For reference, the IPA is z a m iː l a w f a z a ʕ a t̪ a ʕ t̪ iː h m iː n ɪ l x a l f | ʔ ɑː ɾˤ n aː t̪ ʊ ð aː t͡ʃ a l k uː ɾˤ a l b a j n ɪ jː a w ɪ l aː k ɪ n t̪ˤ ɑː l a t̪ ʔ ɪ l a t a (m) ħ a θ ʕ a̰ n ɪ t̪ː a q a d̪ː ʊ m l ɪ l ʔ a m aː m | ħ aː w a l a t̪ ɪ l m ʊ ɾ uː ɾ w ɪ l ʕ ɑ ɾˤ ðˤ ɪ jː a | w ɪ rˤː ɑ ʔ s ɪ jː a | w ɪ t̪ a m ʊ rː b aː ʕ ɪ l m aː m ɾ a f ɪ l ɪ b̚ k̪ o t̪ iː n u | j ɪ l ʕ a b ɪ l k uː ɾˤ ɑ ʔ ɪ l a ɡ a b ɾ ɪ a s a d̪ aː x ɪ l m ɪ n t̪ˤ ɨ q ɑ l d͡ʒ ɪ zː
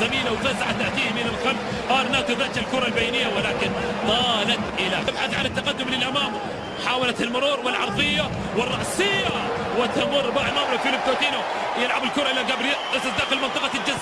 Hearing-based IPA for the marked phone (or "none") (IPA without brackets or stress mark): b